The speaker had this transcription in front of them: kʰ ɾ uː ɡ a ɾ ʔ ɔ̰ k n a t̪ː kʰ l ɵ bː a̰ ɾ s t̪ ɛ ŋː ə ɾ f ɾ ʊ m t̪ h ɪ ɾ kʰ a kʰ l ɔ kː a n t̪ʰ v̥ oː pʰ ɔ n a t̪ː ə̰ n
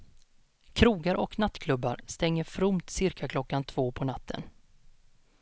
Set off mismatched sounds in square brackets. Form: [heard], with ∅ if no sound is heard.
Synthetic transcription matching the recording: kʰ ɾ uː ɡ a ɾ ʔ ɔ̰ k n a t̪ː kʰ l ɵ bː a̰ ɾ s t̪ ɛ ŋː ə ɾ f ɾ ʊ m t̪ [s] ɪ ɾ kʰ a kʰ l ɔ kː a n t̪ʰ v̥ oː pʰ ɔ n a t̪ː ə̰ n